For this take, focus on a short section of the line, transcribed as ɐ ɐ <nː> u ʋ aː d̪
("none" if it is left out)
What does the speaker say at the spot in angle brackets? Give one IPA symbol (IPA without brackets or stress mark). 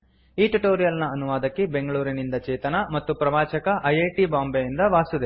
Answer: n